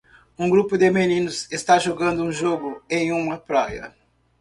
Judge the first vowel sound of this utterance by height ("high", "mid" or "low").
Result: high